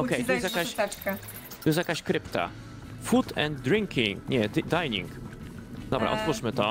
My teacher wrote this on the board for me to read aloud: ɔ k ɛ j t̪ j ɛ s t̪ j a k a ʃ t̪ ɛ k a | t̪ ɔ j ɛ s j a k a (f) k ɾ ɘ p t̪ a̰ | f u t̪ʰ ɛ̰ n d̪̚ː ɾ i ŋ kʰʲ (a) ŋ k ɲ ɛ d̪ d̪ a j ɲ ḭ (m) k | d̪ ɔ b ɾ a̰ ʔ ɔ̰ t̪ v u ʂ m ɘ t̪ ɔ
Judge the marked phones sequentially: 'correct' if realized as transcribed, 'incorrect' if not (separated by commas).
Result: incorrect, incorrect, incorrect